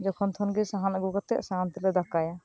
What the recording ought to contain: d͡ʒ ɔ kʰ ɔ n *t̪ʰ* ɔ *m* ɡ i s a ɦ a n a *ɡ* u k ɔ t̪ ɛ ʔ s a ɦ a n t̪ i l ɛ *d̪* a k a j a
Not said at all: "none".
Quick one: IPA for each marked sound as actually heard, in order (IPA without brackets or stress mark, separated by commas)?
t̪ʰ, n, ɡ, d̪